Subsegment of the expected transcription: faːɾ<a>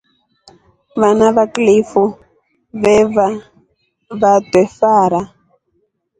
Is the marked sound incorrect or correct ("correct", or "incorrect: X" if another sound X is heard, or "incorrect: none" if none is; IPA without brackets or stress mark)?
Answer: correct